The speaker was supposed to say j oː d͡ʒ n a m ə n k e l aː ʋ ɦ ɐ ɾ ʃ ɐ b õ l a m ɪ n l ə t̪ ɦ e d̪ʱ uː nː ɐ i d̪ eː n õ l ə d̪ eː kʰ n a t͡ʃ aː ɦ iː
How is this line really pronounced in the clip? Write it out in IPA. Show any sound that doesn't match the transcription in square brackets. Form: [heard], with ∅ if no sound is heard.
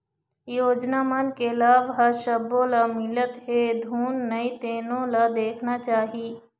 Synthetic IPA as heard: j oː d͡ʒ n a m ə n k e l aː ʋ ɦ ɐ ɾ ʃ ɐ b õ l a m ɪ [∅] l ə t̪ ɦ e d̪ʱ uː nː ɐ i [t̪] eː n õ l [a] d̪ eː kʰ n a t͡ʃ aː ɦ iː

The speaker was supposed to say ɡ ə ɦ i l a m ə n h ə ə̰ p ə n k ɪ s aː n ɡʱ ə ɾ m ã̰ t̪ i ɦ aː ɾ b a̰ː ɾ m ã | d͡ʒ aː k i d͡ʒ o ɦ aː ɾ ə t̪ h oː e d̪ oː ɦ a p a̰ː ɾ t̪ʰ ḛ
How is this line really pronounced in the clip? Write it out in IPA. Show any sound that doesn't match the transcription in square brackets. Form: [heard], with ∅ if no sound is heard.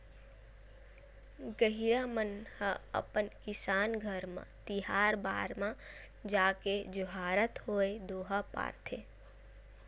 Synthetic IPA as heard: ɡ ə ɦ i [ɾ] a m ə n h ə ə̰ p ə n k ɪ s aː n ɡʱ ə ɾ m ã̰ t̪ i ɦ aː ɾ b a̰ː ɾ m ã | d͡ʒ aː k [e] d͡ʒ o ɦ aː ɾ ə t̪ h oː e d̪ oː ɦ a p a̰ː ɾ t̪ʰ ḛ

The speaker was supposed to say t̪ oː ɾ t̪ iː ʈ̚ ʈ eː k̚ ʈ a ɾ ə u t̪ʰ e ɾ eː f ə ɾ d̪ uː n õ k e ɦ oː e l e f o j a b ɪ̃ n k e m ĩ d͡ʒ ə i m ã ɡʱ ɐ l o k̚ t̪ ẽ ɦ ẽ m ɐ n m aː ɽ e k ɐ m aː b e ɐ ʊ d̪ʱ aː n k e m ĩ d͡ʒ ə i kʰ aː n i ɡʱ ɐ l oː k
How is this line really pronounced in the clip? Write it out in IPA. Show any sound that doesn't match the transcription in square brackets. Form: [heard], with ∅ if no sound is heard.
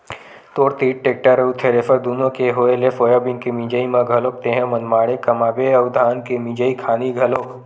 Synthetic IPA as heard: t̪ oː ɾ t̪ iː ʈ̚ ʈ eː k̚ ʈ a ɾ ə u t̪ʰ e ɾ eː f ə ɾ d̪ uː n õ k e ɦ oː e l e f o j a b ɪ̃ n k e m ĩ d͡ʒ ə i m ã ɡʱ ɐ l o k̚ t̪ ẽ ɦ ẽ m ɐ n m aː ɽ e k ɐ m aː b e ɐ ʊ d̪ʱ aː n k e m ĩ d͡ʒ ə i kʰ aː n i ɡʱ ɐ l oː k

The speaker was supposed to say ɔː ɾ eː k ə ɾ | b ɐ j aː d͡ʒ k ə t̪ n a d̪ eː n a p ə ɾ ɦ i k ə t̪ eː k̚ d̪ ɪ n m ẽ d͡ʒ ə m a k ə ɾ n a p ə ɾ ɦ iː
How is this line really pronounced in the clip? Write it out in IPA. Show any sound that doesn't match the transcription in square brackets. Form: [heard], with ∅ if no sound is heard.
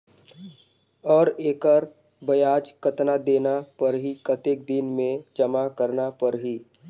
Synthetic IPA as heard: ɔː ɾ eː k ə ɾ | b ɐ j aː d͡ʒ k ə t̪ n a d̪ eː n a p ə ɾ ɦ i k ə t̪ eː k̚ d̪ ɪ n m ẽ d͡ʒ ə m a k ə ɾ n a p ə ɾ ɦ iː

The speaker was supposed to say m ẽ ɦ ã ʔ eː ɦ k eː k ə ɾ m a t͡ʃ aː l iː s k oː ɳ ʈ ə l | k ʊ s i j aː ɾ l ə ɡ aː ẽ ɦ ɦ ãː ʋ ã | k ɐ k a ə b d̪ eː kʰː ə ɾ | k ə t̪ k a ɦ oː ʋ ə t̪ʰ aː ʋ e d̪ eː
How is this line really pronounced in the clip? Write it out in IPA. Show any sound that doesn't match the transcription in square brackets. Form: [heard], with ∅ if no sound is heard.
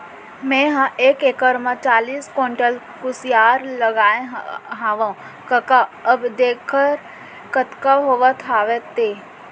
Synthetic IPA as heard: m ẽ ɦ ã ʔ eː [∅] k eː k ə ɾ m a t͡ʃ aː l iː s k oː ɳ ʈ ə l | k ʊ s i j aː ɾ l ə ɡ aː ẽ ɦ ɦ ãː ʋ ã | k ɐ k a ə b d̪ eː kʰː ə ɾ | k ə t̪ k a ɦ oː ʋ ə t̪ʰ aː ʋ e [t̪] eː

